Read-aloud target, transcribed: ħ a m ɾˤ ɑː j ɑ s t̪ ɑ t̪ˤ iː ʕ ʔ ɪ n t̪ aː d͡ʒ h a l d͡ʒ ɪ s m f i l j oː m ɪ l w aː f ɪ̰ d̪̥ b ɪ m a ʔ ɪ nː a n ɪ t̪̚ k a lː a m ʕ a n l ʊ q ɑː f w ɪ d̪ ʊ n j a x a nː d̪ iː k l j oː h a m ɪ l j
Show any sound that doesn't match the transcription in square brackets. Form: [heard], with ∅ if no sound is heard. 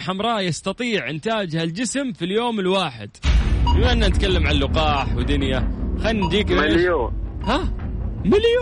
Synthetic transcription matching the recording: ħ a m ɾˤ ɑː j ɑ s t̪ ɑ t̪ˤ iː ʕ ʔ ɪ n t̪ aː d͡ʒ h a l d͡ʒ ɪ s m f i l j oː m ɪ l w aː [ħ] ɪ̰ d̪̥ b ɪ m a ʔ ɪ nː a n ɪ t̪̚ k a lː a m ʕ a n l ʊ q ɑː [ħ] w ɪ d̪ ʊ n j a x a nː d̪ iː k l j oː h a m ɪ l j